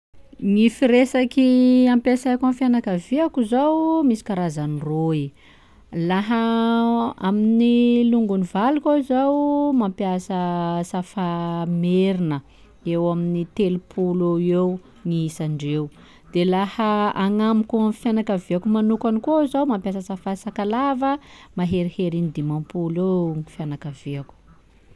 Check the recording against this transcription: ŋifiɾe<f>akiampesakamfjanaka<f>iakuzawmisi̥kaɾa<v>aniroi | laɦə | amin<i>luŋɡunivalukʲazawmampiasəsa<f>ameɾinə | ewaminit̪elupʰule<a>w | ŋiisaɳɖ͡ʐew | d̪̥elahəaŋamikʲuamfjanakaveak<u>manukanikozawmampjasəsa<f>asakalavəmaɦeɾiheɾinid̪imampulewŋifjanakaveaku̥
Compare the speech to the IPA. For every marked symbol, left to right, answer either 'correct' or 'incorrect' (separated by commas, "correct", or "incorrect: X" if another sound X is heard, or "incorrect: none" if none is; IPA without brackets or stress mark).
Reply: incorrect: s, incorrect: v, incorrect: z, correct, correct, incorrect: e, correct, correct